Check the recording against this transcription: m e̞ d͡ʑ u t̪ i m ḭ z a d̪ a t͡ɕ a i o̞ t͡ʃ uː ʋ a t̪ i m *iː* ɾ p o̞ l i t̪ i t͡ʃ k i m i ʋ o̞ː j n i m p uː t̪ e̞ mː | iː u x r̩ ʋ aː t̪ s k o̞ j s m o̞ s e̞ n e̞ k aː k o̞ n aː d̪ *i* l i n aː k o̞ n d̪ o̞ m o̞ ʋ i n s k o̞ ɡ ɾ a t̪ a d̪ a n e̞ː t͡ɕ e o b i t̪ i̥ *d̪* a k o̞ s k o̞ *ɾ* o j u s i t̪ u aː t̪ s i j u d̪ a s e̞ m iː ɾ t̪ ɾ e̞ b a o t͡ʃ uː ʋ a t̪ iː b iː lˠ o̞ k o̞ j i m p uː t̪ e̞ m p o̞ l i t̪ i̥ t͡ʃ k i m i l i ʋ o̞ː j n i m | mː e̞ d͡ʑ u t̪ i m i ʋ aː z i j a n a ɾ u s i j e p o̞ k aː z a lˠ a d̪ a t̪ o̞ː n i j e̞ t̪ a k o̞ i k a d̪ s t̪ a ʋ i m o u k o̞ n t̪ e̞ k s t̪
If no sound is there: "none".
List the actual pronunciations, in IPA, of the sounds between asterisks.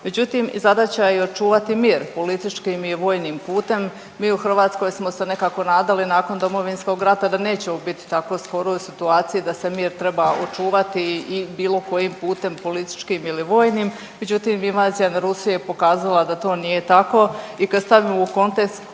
iː, a, t̪, ɾ

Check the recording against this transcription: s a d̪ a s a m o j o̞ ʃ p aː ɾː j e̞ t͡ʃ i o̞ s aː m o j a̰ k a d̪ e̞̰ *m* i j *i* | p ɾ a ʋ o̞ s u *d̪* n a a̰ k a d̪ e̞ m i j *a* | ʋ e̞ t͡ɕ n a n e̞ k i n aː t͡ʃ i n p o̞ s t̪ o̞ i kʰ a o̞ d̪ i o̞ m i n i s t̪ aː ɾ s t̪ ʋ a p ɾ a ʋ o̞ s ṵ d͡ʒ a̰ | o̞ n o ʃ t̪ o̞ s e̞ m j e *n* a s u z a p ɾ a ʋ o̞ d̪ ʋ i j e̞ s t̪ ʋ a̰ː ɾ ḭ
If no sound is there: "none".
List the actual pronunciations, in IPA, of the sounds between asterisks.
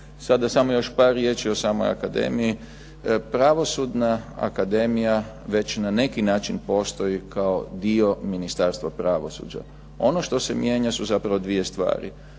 m, i, d̪, a, ɲ

